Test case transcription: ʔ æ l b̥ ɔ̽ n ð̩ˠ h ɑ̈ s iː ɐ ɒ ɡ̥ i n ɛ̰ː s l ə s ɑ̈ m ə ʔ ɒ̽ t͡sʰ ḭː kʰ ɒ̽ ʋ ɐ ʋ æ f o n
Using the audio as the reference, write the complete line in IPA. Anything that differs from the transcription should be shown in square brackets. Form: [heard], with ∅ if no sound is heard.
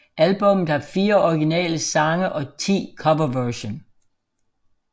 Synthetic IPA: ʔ æ l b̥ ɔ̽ [m] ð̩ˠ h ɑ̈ [f] iː ɐ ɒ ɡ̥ i n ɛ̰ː [∅] l ə s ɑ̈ [ŋ] ə ʔ ɒ̽ t͡sʰ ḭː kʰ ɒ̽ ʋ ɐ ʋ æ [ɕ] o n